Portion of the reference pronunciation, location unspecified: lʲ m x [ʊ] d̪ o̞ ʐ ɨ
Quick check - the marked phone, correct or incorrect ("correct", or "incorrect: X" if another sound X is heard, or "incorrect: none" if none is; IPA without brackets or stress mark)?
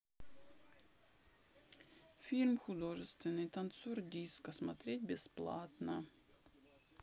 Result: correct